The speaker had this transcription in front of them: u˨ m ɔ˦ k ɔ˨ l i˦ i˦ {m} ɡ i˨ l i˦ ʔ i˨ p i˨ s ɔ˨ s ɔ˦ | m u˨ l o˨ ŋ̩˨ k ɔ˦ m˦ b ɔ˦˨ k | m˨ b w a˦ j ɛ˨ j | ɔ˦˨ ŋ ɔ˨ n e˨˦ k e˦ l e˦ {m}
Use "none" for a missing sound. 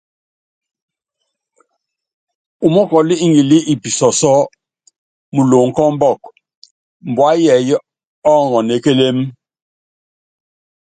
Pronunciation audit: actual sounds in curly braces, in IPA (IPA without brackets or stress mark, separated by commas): ŋ, m